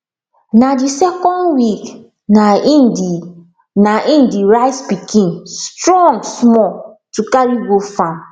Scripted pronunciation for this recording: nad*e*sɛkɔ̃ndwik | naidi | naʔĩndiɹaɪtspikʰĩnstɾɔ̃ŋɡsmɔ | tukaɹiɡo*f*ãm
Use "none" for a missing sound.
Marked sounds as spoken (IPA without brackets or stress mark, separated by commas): i, f